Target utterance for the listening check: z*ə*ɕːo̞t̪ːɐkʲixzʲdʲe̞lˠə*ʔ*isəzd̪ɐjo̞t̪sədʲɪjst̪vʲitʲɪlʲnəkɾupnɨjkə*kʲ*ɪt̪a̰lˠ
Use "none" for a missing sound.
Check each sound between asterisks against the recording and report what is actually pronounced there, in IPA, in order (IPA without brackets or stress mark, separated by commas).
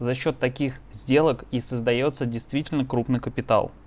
ɐ, k, pʲ